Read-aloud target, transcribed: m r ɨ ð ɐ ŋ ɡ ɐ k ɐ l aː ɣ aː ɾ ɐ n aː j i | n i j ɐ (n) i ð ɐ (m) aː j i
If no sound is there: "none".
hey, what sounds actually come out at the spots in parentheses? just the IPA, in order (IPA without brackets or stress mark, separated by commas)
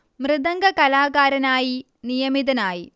m, n